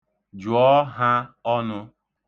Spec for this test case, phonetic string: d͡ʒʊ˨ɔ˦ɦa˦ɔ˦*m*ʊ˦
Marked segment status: incorrect: n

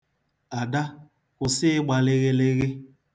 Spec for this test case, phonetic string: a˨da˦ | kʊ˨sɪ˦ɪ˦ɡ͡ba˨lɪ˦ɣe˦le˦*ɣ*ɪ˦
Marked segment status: correct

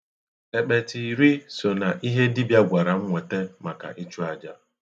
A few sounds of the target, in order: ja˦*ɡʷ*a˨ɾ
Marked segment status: correct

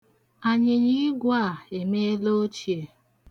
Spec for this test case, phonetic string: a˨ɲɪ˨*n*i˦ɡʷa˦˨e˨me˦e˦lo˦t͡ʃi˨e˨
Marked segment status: incorrect: ɲ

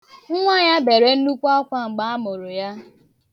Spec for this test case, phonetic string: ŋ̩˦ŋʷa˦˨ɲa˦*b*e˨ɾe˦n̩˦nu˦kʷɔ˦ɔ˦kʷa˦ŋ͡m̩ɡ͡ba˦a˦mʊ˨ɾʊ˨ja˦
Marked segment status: correct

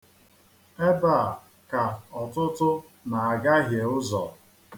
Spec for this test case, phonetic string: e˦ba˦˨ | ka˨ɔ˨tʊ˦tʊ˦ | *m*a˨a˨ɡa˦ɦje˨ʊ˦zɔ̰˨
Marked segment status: incorrect: n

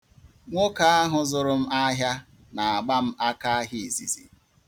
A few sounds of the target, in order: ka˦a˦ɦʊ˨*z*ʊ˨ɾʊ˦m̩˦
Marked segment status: correct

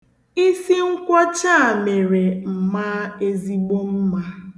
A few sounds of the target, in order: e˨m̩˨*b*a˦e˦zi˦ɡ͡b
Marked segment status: incorrect: m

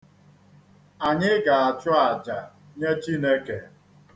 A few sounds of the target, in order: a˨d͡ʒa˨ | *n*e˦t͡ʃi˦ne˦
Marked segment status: incorrect: ɲ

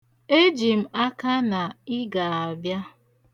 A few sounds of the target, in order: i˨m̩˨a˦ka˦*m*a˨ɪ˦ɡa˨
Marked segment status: incorrect: n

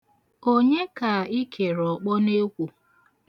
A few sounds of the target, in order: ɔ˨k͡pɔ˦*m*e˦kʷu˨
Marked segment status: incorrect: n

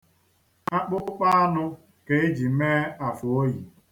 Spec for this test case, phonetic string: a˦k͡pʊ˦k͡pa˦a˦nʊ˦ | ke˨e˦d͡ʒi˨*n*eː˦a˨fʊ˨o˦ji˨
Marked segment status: incorrect: m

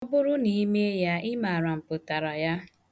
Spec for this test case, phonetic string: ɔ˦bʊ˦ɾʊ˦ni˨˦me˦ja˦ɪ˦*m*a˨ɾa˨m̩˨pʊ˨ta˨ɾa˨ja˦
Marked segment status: correct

